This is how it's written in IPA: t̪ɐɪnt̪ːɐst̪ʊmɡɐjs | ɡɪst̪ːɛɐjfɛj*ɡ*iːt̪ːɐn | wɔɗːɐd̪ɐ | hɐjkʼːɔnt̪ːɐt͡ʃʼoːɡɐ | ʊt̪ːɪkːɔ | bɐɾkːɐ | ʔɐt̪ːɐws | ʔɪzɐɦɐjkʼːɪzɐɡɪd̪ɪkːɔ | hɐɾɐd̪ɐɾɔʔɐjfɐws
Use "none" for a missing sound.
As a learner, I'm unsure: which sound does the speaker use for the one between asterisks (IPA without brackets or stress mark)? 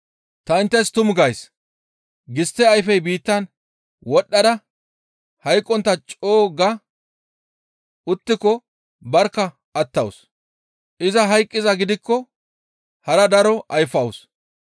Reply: b